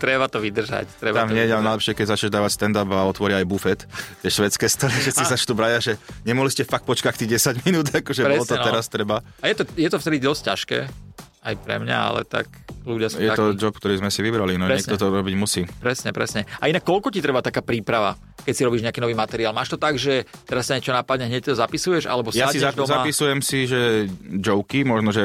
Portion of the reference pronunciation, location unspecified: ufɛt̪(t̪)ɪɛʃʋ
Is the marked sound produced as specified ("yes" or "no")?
yes